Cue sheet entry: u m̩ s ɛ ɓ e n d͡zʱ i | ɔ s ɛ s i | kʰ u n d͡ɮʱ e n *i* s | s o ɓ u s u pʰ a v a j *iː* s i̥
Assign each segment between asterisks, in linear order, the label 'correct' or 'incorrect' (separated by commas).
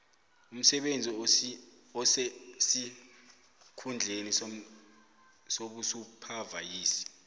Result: correct, correct